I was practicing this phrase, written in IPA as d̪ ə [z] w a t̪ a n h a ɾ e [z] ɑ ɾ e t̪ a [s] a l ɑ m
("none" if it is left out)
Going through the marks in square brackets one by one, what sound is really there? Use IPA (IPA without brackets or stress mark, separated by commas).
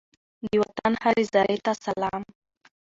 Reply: none, z, s